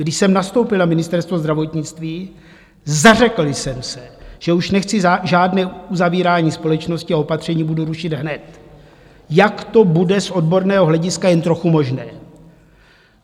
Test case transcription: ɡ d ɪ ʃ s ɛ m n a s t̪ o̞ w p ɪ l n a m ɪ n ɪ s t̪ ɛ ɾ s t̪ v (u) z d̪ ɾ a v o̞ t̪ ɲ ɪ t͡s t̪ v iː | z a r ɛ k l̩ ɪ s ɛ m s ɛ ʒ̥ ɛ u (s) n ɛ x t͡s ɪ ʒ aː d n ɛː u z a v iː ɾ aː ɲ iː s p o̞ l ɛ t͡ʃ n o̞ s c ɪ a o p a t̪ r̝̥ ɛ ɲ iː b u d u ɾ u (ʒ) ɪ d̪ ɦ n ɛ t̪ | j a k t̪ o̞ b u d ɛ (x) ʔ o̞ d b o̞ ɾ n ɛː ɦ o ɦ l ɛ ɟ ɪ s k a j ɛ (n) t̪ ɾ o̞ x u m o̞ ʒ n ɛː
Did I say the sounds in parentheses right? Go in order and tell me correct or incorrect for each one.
incorrect: o, incorrect: ʃ, incorrect: ʃ, incorrect: s, correct

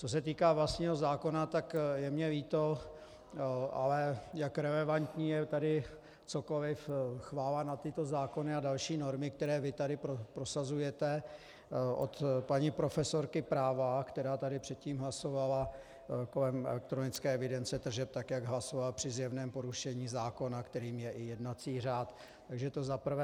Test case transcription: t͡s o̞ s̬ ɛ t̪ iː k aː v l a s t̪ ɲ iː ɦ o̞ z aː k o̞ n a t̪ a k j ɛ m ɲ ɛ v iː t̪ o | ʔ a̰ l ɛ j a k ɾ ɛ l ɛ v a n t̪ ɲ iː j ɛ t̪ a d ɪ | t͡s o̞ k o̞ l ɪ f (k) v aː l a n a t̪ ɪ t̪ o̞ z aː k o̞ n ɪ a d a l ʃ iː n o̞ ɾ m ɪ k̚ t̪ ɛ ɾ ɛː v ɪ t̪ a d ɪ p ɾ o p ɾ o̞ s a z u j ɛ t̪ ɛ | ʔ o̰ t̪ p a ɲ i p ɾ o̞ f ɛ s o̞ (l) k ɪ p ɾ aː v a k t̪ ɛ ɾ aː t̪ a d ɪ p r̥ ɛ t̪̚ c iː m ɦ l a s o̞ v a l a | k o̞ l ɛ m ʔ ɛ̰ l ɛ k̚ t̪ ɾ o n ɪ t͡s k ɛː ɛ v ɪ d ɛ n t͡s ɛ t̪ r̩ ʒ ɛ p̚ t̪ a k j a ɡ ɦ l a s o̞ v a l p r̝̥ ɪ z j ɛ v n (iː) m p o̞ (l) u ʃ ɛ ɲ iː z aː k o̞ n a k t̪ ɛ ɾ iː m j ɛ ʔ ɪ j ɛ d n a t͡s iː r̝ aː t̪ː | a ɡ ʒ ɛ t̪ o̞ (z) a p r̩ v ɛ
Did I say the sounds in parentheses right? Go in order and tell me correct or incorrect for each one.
incorrect: x, incorrect: ɾ, incorrect: ɛː, incorrect: ɾ, correct

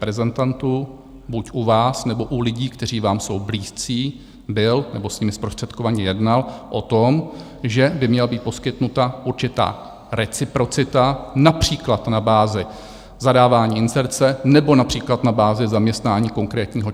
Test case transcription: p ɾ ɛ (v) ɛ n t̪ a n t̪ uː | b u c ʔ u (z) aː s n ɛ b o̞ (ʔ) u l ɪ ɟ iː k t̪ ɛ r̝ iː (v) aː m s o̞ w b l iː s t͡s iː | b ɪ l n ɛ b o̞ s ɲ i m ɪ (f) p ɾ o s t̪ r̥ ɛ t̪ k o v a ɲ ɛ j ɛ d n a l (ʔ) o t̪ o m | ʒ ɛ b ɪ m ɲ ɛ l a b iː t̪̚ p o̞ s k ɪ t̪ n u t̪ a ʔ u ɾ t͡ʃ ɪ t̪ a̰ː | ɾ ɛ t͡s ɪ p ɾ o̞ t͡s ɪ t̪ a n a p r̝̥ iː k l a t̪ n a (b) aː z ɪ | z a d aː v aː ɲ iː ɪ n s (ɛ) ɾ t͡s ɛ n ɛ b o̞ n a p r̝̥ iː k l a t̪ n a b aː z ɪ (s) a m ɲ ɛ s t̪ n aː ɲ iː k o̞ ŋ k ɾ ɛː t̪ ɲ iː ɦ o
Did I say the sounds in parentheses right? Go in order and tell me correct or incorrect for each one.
incorrect: z, incorrect: v, correct, correct, incorrect: s, correct, correct, correct, incorrect: z

